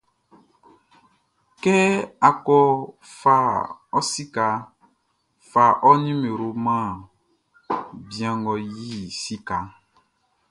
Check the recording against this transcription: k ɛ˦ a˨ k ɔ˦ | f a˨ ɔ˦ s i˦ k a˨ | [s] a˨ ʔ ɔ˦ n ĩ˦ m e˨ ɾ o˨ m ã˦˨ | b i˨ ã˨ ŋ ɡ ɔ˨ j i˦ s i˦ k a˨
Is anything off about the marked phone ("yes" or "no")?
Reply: yes